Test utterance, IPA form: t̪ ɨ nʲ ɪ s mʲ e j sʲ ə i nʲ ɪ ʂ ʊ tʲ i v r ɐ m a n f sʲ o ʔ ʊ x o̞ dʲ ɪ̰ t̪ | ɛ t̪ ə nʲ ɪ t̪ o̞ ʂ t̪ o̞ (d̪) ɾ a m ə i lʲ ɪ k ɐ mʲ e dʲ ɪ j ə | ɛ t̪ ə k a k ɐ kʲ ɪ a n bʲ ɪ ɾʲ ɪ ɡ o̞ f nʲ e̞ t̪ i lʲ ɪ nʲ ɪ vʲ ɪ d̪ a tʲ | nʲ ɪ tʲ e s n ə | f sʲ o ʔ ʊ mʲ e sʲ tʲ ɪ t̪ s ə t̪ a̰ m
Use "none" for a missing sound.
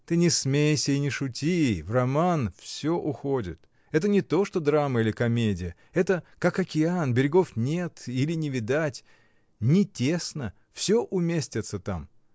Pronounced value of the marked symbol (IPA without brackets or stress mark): d̪